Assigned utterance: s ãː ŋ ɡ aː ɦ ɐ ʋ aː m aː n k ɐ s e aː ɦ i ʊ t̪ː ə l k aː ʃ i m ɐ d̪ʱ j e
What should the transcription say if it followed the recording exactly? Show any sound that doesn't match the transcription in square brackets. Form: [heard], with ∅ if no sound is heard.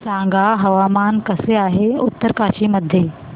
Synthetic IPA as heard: s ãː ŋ ɡ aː ɦ ɐ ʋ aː m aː n k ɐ s e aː ɦ [e] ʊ t̪ː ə [ɾ] k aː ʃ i m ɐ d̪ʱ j e